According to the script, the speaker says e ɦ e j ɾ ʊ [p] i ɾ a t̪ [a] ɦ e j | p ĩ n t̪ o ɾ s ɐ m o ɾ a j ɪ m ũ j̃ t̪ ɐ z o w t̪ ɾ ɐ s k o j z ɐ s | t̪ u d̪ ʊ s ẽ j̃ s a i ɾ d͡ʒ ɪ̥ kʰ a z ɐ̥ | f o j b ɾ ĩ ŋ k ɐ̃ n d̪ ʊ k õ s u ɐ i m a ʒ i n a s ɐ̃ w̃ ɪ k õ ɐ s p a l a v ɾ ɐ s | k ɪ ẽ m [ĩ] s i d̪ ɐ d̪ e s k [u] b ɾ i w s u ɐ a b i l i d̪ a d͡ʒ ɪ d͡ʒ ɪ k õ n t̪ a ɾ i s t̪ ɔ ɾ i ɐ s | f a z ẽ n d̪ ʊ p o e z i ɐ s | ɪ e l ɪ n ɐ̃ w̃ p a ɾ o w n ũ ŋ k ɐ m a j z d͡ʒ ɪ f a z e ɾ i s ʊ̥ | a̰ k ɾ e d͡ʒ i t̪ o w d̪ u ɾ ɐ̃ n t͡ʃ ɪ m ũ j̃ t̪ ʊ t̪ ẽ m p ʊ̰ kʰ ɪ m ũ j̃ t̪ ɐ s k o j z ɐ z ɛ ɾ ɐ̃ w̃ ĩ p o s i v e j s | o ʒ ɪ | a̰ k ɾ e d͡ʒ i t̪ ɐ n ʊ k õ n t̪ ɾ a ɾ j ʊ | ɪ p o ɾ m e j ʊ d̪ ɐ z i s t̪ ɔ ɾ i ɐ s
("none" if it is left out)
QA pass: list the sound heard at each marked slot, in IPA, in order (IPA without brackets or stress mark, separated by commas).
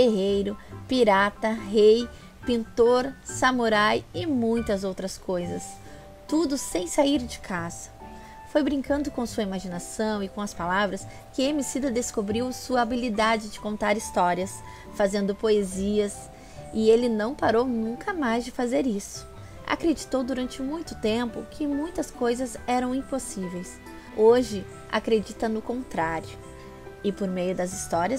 p, ɐ, i, o